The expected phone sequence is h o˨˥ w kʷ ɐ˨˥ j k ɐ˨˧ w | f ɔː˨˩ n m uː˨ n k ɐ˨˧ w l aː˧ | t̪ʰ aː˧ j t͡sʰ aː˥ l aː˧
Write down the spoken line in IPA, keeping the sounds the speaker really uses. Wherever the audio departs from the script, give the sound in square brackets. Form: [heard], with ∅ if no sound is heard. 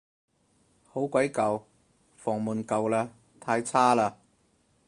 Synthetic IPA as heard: h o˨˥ w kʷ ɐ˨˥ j k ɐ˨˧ w | f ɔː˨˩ [ŋ] m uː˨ n k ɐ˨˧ w l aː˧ | t̪ʰ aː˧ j t͡sʰ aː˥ l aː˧